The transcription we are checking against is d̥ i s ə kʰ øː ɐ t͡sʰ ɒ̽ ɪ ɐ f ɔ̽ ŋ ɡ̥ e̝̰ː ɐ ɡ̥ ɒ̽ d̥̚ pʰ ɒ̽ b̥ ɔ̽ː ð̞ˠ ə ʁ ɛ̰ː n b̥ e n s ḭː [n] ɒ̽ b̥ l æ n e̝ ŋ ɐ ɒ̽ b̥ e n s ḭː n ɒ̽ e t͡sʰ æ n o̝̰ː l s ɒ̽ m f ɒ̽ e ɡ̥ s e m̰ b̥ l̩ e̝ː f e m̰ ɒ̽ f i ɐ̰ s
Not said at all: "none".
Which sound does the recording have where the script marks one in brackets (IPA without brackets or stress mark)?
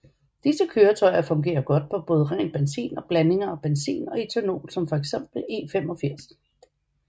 n